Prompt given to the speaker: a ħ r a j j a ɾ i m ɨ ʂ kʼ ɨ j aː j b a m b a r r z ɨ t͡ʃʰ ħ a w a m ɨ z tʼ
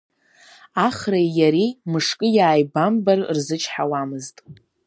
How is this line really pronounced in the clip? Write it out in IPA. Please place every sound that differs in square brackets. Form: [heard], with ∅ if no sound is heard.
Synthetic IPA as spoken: a [χ] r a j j a ɾ i m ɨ ʂ kʼ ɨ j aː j b a m b a r r z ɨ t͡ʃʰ ħ a w a m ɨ z tʼ